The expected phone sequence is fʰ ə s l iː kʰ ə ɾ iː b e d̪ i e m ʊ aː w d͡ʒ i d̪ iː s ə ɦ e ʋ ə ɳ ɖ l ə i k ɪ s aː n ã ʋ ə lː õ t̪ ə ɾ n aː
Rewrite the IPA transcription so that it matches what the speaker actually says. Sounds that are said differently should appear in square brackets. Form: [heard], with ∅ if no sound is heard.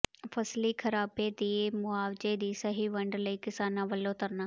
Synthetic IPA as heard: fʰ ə s l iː kʰ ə ɾ [aː] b e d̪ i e m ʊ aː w d͡ʒ [e] d̪ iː s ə ɦ [i] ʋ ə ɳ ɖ l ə i k ɪ s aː n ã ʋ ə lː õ t̪ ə ɾ n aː